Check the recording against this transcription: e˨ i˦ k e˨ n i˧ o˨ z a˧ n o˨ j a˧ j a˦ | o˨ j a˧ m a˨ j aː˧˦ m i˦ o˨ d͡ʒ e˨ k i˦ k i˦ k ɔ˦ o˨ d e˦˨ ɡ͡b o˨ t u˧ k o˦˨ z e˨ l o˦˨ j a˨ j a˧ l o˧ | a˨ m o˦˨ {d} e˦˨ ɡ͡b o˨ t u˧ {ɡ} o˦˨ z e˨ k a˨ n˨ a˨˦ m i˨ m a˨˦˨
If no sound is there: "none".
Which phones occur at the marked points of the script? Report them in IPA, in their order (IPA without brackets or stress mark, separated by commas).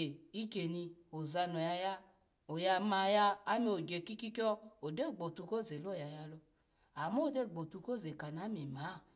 d, k